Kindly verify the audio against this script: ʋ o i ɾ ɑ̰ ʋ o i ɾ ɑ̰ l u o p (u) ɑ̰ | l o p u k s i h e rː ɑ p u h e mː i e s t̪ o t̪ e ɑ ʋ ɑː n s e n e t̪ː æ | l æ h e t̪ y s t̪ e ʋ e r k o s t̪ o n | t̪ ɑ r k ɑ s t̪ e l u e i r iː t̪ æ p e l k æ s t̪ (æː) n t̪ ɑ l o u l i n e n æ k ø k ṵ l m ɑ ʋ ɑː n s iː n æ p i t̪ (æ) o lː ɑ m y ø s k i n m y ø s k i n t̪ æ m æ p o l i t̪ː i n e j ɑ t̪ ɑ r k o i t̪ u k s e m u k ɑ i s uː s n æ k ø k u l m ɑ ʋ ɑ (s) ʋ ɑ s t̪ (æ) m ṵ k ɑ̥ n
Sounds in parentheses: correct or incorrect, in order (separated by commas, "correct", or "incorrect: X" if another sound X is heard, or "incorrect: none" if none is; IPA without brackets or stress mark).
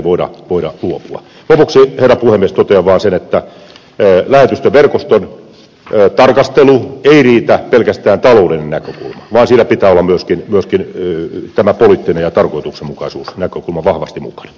correct, correct, incorrect: æː, incorrect: h, incorrect: i